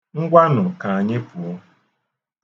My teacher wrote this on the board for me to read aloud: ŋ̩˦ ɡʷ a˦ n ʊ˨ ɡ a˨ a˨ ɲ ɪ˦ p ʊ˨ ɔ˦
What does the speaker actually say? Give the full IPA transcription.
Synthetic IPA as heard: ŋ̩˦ ɡʷ a˦ n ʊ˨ k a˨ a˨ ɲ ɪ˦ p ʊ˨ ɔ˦